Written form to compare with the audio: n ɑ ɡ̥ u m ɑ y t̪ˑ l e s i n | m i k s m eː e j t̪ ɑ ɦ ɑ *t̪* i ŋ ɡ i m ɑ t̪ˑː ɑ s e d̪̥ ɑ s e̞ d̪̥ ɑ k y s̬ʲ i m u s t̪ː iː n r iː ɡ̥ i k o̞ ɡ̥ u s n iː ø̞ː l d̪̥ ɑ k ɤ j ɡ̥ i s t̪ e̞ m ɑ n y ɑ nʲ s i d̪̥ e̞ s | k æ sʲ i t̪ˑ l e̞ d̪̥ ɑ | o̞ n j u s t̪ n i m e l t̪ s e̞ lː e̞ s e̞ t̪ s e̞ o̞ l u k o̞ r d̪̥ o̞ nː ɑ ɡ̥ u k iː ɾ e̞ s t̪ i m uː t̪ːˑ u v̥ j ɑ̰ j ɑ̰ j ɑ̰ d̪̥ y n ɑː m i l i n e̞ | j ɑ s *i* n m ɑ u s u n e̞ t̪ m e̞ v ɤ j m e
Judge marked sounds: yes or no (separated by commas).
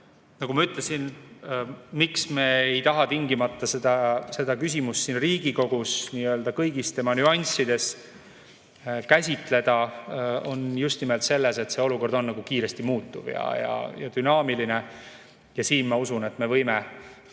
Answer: yes, no